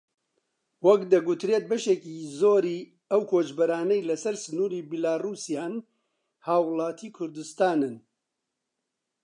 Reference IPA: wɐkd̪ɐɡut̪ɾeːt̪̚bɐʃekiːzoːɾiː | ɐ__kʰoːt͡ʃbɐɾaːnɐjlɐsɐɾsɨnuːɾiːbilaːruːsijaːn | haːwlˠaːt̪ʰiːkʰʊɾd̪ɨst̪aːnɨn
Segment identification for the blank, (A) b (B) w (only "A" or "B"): B